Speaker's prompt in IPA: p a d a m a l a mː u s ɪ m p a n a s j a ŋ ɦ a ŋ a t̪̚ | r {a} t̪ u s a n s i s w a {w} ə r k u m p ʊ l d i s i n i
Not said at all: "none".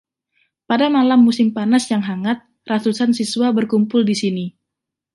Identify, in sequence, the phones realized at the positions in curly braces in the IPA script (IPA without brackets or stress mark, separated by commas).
a, b